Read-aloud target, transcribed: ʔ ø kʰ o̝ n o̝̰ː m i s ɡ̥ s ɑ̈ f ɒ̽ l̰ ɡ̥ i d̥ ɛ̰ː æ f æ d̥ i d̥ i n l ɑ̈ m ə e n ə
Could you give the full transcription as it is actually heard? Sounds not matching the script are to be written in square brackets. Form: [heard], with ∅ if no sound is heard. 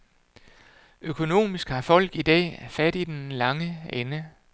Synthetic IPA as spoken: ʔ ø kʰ o̝ n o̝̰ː m i s ɡ̥ [h] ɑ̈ f ɒ̽ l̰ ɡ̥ i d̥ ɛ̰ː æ f æ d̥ i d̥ [e] n l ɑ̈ [ŋ] ə e n ə